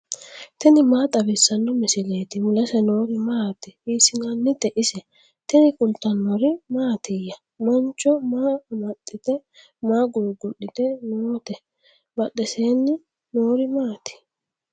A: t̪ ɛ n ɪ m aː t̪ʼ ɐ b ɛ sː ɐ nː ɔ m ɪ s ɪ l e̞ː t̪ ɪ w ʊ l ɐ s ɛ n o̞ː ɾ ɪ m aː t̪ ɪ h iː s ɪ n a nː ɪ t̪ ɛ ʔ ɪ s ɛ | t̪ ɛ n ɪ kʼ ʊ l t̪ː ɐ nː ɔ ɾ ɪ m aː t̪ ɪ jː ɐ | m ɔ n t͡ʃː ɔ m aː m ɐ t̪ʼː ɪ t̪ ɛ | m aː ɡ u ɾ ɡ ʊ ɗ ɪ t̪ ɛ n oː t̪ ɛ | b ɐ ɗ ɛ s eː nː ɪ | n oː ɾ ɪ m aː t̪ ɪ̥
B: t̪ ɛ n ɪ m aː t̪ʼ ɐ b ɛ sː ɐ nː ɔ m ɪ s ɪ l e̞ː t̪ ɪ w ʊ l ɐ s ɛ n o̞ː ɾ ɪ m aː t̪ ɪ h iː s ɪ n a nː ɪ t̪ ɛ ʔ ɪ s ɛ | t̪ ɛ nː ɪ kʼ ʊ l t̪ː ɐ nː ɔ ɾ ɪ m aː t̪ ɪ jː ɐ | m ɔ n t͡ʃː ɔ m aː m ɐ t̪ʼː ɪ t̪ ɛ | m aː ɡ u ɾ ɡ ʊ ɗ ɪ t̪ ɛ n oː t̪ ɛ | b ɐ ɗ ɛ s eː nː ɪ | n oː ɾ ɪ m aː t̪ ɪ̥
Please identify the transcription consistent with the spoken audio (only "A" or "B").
A